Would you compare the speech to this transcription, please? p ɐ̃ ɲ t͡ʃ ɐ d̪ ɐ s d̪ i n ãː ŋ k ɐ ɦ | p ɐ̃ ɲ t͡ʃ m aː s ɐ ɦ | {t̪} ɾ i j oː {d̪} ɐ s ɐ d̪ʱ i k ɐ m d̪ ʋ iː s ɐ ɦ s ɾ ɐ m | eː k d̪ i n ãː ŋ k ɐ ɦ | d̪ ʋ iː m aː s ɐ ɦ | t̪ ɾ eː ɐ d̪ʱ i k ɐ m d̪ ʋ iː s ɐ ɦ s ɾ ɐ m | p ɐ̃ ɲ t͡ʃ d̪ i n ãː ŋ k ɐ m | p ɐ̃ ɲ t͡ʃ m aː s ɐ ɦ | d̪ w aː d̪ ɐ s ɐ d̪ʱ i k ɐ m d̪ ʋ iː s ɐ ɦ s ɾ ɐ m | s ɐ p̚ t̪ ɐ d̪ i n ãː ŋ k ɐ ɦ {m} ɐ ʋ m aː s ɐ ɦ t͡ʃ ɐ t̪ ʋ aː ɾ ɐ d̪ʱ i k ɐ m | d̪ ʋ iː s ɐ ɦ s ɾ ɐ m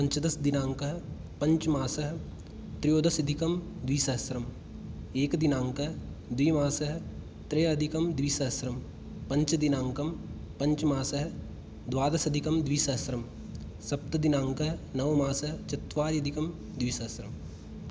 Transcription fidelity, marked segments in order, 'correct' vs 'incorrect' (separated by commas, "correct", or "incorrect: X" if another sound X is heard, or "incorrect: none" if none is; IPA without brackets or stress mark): correct, correct, incorrect: n